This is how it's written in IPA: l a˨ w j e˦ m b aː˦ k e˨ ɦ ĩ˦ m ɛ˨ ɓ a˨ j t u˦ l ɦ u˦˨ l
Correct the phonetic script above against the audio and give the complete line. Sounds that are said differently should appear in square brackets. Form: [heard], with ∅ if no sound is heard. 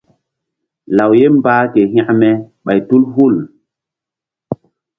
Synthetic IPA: l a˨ w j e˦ m b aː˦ k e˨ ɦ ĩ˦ m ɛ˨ ɓ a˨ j t u˦ l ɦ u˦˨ l